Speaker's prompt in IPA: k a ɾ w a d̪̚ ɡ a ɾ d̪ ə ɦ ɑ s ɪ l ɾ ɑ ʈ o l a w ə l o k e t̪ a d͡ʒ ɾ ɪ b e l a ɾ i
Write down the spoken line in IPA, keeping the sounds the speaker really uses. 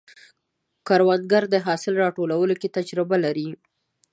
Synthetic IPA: k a ɾ w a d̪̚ ɡ a ɾ d̪ ə ɦ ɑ s ɪ l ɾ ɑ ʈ o l a w ə l o k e t̪ a d͡ʒ ɾ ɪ b a l a ɾ i